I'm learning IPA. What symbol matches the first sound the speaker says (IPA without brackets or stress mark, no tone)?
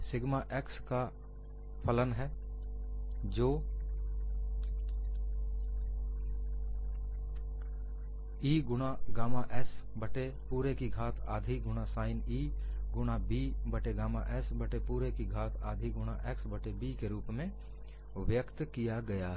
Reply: s